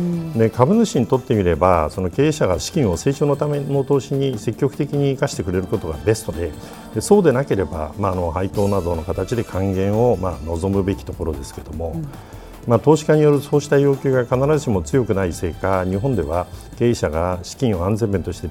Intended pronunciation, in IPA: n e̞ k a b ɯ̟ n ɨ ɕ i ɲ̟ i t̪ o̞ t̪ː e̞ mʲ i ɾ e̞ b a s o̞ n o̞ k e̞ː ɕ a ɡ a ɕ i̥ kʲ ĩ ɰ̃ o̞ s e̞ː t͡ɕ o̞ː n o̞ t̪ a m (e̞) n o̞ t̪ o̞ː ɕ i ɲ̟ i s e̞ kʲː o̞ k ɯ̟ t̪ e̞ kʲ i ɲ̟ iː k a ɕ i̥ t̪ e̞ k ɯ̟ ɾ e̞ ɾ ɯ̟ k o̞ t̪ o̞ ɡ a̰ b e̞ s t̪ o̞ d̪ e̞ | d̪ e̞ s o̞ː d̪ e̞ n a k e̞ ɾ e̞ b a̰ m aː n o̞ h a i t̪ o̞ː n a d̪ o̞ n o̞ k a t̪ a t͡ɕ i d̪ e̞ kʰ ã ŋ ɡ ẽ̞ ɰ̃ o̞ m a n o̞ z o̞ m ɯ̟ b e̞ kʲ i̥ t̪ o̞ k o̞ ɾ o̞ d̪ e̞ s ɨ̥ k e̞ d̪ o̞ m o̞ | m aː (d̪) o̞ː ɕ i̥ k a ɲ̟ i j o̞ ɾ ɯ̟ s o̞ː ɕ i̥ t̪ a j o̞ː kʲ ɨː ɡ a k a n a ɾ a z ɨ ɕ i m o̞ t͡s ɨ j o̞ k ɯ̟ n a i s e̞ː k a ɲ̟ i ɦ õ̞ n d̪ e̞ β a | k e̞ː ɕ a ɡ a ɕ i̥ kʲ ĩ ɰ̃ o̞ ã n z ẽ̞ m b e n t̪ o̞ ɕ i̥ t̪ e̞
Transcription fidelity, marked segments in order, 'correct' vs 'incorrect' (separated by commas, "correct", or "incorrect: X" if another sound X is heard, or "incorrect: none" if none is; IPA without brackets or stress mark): correct, incorrect: t̪